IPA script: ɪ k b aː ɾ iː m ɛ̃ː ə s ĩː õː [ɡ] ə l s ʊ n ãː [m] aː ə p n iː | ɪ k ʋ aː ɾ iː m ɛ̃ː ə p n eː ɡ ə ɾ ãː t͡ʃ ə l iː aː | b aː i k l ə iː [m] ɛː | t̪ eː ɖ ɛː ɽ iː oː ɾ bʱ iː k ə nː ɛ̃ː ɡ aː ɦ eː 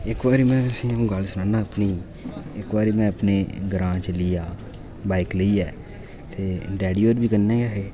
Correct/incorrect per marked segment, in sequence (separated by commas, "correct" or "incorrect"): correct, incorrect, incorrect